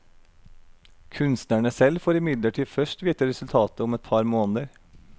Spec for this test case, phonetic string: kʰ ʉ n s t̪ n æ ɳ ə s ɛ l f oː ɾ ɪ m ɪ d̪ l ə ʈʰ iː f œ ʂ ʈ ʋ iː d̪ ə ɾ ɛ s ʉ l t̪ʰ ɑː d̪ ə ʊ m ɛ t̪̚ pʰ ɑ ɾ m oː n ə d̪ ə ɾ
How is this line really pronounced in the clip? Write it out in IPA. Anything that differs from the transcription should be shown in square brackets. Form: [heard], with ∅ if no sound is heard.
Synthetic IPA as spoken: kʰ ʉ n s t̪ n æ ɳ ə s ɛ l f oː ɾ ɪ m ɪ d̪ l ə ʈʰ iː f œ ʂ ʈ ʋ iː [t̪] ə ɾ ɛ s ʉ l t̪ʰ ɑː [t̪] ə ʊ m ɛ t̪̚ pʰ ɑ ɾ m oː n ə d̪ ə ɾ